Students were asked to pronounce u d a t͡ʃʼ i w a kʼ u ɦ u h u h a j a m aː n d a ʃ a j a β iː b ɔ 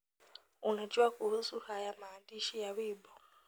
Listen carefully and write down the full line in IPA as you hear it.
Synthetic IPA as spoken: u n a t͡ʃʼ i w a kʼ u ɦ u s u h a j a m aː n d i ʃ i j a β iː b ɔ

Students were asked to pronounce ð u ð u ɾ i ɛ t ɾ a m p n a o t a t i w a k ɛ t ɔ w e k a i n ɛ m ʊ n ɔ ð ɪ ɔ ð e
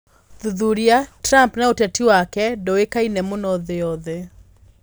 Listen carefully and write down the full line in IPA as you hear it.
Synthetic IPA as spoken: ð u ð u ɾ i a t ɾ a m p n a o t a t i w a k ɛ d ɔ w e k a i n ɛ m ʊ n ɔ ð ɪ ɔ ð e

